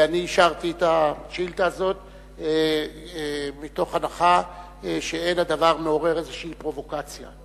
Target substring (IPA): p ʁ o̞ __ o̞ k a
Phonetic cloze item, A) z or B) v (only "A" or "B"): B